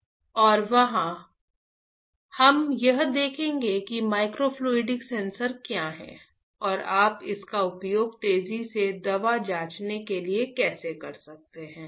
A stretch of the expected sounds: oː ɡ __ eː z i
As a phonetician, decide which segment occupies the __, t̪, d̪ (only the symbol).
t̪